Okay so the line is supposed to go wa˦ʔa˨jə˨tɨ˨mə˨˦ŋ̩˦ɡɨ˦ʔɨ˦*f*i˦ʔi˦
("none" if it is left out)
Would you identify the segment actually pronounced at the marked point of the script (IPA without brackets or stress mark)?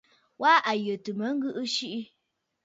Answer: ʃ